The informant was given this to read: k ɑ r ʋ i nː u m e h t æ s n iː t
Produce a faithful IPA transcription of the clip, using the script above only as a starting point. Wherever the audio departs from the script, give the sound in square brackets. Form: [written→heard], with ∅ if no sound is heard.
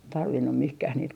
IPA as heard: [k→t] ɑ r ʋ i nː u m [e→i] h [t→k] æ [s→h] n iː t